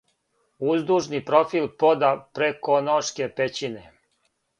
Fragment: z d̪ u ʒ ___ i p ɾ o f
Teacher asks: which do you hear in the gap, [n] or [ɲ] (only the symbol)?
n